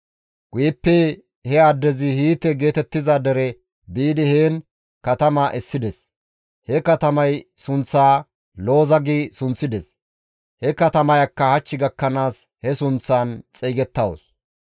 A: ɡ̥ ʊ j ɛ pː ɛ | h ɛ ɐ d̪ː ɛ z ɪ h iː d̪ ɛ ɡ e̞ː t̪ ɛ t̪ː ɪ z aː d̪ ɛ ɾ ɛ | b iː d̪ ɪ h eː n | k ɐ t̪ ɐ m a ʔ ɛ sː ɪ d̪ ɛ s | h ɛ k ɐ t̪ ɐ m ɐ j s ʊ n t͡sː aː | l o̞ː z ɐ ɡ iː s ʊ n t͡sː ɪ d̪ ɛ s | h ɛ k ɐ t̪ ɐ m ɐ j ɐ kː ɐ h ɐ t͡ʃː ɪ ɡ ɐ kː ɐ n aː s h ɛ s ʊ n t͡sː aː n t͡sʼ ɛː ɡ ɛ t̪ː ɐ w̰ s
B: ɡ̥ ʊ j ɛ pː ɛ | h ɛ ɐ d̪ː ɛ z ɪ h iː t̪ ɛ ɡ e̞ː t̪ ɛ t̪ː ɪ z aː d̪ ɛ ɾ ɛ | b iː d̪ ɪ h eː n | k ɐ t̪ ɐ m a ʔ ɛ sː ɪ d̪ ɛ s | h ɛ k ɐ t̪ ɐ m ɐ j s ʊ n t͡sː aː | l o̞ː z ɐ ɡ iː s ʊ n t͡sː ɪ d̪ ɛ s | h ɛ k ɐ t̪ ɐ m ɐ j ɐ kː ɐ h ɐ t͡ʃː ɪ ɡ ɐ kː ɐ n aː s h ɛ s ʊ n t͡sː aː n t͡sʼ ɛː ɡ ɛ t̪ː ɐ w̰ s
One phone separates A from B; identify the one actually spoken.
B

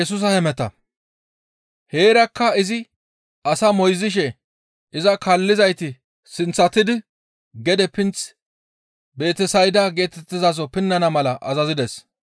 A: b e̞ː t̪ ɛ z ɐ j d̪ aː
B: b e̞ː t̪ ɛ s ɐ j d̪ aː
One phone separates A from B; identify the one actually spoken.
B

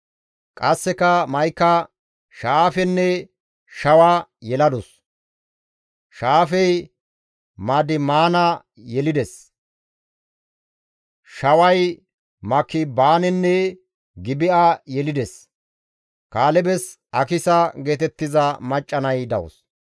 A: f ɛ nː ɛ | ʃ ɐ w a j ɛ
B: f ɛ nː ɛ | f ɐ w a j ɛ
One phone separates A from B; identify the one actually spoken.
A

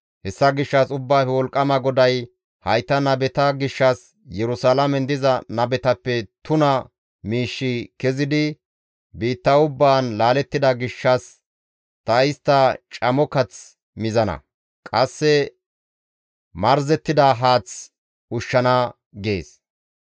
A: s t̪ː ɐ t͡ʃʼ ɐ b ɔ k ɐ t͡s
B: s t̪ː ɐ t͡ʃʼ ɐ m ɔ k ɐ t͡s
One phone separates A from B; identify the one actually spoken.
B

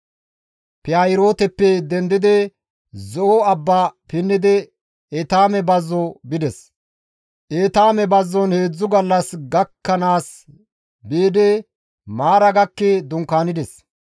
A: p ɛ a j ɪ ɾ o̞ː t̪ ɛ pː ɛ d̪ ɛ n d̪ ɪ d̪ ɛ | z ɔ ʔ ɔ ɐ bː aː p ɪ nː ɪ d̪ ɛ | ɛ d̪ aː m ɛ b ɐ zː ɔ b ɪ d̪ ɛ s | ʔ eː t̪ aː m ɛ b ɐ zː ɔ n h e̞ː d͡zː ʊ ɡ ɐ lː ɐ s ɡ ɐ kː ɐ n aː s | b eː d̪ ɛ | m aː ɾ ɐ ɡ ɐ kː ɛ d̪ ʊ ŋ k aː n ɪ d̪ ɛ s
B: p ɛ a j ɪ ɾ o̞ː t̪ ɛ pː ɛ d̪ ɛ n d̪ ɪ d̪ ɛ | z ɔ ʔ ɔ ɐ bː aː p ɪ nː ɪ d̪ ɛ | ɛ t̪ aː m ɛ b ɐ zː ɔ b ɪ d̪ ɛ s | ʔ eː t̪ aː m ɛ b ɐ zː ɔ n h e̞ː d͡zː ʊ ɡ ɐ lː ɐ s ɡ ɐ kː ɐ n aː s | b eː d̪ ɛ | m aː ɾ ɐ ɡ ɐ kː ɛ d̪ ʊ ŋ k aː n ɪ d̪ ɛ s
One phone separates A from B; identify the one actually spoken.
B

